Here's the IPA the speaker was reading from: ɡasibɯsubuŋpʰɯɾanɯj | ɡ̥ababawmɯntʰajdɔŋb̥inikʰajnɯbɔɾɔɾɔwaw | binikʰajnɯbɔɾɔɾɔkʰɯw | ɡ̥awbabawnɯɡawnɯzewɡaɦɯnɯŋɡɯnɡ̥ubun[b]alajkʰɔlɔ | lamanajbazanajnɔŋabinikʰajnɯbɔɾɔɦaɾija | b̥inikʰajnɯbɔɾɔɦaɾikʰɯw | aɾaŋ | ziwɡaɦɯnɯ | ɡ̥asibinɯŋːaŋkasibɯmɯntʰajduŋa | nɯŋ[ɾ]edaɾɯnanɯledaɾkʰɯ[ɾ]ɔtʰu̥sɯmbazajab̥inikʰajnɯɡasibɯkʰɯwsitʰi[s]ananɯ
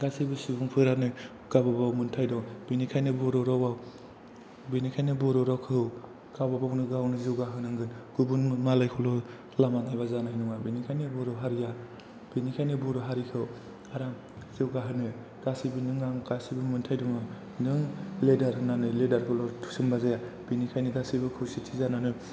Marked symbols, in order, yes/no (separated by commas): no, no, no, no